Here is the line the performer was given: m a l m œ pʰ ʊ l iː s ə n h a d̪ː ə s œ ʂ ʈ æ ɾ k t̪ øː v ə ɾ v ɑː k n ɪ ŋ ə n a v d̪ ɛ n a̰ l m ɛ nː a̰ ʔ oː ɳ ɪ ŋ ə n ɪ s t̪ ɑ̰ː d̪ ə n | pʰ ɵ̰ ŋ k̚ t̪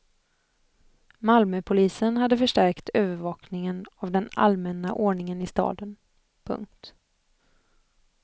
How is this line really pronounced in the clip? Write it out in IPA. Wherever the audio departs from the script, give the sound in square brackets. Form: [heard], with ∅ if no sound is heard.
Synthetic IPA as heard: m a l m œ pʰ ʊ l iː s ə n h a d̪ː ə [f] œ ʂ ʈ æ ɾ k t̪ øː v ə ɾ v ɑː k n ɪ ŋ ə n a v d̪ ɛ n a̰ l m ɛ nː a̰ ʔ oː ɳ ɪ ŋ ə n ɪ s t̪ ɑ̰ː d̪ ə n | pʰ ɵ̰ ŋ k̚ t̪

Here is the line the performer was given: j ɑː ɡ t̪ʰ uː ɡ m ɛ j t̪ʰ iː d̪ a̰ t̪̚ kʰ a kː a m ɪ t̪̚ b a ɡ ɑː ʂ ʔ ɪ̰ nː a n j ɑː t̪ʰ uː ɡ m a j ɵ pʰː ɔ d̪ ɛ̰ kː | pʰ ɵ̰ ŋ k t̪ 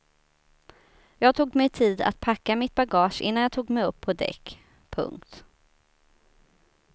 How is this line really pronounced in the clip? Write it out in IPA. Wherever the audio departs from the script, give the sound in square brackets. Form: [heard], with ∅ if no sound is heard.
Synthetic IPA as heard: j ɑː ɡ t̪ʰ uː ɡ m ɛ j t̪ʰ iː d̪ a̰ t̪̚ [pʰ] a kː a m ɪ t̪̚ b a ɡ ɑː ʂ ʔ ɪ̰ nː a n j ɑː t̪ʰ uː ɡ m [ɛ] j ɵ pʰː ɔ d̪ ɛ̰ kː | pʰ ɵ̰ ŋ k t̪

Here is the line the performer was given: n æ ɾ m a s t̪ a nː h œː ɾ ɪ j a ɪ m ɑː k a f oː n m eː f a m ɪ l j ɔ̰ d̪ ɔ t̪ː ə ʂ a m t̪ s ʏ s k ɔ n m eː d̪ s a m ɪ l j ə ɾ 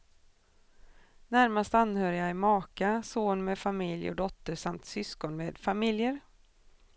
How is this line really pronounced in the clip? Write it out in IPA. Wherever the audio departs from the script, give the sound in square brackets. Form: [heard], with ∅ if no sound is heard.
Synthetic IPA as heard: n æ ɾ m a s t̪ a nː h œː ɾ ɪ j a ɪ m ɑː k a [s] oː n m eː f a m ɪ l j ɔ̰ d̪ ɔ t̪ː ə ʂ a m t̪ s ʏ s k ɔ n m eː d̪ [f] a m ɪ l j ə ɾ

